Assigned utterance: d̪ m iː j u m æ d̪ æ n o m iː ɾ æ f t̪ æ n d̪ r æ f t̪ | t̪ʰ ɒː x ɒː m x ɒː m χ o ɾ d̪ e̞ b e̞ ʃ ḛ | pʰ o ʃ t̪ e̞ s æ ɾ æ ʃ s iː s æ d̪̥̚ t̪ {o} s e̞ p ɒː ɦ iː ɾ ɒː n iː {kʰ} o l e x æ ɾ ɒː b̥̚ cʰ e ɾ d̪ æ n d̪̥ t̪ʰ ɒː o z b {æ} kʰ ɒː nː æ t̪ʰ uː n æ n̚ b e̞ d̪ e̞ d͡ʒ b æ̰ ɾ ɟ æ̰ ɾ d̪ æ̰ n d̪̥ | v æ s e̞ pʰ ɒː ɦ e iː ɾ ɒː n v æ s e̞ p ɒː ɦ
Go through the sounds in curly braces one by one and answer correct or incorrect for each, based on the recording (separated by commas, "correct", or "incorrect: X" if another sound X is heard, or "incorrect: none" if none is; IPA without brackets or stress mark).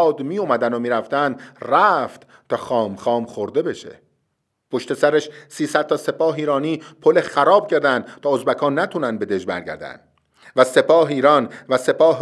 incorrect: ɒ, incorrect: pʰ, correct